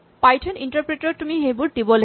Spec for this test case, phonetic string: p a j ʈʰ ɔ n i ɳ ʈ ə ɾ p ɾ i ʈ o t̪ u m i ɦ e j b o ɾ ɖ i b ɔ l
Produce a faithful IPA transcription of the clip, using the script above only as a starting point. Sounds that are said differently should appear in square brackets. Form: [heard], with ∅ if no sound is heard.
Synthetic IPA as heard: p a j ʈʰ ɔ n i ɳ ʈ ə ɾ p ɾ [e] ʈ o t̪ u m i ɦ e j b [u] ɾ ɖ i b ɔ l